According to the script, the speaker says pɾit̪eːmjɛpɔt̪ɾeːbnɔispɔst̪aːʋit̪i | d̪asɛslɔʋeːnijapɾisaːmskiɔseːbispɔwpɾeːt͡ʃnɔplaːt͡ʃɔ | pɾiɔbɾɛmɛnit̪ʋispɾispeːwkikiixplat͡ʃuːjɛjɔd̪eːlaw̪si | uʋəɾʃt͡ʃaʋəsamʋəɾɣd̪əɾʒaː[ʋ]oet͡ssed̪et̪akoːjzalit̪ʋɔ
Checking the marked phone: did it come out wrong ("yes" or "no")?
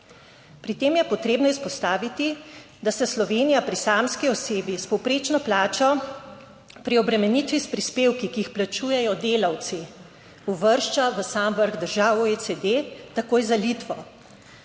yes